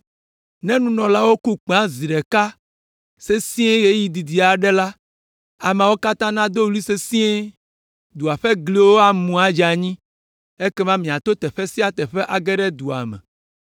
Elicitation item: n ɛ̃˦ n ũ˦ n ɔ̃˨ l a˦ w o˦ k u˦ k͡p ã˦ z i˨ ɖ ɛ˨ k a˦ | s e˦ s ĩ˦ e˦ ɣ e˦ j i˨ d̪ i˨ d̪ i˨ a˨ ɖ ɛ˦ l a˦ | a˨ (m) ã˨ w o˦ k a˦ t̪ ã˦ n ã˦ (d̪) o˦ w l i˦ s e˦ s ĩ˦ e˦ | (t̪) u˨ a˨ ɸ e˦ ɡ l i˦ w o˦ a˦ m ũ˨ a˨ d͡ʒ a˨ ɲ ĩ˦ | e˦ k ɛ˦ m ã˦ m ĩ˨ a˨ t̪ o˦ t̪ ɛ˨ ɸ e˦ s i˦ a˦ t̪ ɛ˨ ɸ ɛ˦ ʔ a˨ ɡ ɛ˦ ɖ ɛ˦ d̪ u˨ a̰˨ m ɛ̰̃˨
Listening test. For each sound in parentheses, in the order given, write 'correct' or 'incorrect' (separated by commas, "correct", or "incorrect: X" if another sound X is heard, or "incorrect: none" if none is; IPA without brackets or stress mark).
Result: correct, correct, incorrect: d̪